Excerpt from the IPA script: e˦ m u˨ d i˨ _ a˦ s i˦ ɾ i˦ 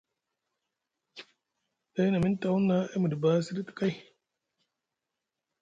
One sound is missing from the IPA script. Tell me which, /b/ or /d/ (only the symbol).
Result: b